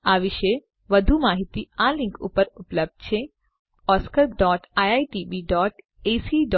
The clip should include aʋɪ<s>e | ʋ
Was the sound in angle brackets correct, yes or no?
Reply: no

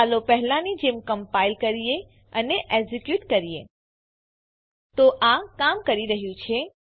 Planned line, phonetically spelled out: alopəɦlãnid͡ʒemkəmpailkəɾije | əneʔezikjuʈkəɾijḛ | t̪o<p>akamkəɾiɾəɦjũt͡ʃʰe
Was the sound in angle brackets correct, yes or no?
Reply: no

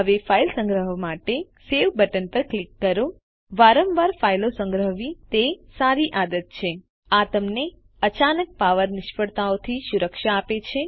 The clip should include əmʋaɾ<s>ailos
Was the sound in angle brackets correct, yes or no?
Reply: no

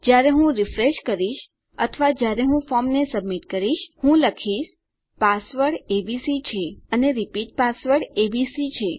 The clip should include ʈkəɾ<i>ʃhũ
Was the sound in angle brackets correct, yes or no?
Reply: yes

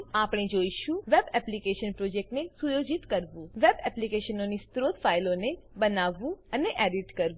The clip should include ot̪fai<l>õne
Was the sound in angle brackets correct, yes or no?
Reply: yes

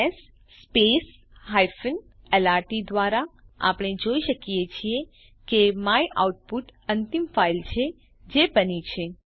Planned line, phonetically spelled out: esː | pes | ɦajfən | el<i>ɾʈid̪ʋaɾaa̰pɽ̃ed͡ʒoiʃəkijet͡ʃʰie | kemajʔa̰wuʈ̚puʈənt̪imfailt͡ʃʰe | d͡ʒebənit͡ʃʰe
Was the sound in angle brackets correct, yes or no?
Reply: no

